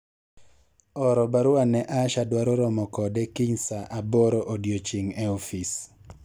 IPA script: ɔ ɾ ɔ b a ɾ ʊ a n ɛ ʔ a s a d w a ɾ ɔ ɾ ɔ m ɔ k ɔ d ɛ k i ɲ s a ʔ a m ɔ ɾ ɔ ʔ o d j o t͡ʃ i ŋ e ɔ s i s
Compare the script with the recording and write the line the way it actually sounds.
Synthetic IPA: ɔ ɾ ɔ b a ɾ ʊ a n ɛ ʔ a ʃ a d w a ɾ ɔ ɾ ɔ m ɔ k ɔ d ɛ k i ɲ s a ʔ a b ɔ ɾ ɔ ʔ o d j o t͡ʃ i ŋ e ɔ f i s